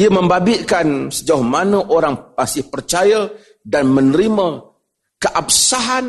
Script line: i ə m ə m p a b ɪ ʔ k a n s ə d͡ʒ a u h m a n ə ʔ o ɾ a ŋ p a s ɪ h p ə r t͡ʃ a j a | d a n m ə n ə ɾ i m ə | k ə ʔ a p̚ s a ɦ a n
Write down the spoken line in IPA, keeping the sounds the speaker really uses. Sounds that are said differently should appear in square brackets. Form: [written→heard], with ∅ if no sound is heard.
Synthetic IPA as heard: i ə m ə m [p→b] a b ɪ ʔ k a n s ə d͡ʒ a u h m a n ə ʔ o ɾ a ŋ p a s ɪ h p ə r t͡ʃ a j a | d a n m ə n ə ɾ i m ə | k ə ʔ a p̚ s a ɦ a n